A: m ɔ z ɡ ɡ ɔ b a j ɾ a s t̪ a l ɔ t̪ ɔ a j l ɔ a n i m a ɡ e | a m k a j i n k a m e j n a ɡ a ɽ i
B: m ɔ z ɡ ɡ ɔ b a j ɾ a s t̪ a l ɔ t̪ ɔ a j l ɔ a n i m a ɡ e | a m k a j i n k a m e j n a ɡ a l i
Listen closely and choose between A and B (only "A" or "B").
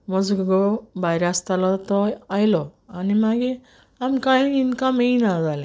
B